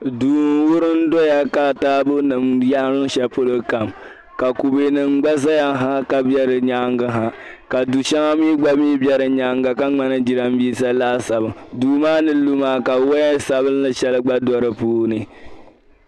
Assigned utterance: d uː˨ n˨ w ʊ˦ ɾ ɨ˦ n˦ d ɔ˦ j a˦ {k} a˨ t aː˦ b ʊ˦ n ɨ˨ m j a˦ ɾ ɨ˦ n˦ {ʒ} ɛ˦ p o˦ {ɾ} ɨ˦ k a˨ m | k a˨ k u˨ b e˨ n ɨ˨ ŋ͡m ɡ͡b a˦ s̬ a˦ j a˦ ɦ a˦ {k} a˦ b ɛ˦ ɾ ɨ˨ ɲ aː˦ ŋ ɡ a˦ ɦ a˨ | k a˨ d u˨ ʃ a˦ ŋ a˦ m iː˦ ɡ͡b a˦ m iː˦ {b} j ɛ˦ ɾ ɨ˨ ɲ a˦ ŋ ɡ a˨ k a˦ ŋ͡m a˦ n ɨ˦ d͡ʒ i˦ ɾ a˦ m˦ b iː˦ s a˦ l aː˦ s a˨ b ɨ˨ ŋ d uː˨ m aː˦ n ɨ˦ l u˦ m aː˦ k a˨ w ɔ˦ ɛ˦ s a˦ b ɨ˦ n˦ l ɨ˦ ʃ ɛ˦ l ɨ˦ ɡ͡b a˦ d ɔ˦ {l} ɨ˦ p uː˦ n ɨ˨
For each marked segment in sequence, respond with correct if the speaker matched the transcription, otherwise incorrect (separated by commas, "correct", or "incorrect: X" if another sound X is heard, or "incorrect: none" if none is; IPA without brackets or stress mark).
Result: correct, incorrect: ʃ, incorrect: l, correct, correct, incorrect: ɾ